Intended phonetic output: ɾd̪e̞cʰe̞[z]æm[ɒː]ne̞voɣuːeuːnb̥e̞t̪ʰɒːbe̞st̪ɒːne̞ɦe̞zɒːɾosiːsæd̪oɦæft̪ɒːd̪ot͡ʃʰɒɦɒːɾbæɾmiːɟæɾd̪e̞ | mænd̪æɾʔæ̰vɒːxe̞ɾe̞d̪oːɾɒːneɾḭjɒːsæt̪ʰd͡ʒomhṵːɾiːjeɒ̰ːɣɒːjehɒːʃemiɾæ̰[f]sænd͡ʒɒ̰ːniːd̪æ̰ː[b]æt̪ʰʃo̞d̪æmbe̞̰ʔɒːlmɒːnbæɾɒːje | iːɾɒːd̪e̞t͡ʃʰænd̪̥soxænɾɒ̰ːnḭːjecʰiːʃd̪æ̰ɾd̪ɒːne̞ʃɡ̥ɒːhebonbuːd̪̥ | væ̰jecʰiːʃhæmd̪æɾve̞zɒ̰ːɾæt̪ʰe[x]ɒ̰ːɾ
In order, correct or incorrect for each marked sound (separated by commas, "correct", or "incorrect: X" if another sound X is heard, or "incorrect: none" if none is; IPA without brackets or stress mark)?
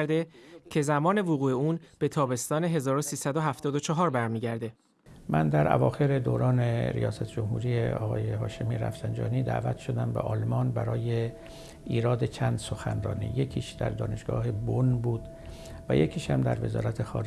correct, correct, correct, incorrect: v, correct